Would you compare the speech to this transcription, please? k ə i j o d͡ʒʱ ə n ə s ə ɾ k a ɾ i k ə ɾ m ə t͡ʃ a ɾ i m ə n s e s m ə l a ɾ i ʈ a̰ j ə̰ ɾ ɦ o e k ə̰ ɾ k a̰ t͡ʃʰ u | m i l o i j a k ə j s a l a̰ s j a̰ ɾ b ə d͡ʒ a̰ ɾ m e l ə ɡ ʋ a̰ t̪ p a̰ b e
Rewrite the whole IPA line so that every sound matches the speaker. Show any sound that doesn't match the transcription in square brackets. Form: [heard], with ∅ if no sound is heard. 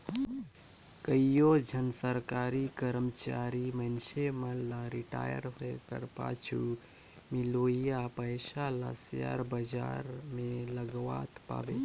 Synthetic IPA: k ə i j o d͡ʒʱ ə n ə s ə ɾ k a ɾ i k ə ɾ m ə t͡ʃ a ɾ i m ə n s e [∅] m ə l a ɾ i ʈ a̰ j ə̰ ɾ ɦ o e k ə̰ ɾ [p] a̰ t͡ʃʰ u | m i l o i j a [p] ə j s a l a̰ s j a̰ ɾ b ə d͡ʒ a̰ ɾ m e l ə ɡ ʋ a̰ t̪ p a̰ b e